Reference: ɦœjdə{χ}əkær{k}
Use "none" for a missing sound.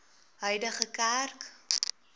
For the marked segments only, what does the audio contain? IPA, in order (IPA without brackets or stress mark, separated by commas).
χ, k